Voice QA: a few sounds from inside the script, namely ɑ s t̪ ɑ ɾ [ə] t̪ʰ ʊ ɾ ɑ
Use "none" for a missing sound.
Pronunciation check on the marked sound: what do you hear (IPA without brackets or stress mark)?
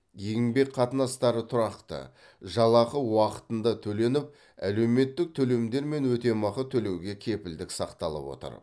ə